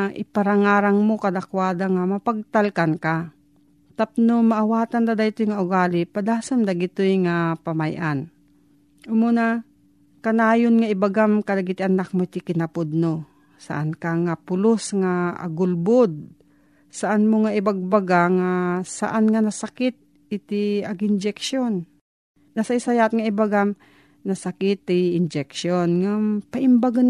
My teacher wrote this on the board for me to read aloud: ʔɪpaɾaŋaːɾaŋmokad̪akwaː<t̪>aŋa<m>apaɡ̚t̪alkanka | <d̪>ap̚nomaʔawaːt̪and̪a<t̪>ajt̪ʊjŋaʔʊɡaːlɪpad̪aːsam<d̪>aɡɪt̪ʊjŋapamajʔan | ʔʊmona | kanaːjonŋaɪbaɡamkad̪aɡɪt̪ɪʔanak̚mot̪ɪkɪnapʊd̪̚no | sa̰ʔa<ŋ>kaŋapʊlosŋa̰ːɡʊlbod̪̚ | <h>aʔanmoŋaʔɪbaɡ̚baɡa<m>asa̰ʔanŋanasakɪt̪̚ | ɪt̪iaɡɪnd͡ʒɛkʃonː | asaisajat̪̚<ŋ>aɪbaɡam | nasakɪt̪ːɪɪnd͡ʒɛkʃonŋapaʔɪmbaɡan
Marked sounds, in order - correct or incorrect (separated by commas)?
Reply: incorrect, correct, incorrect, incorrect, correct, incorrect, incorrect, incorrect, correct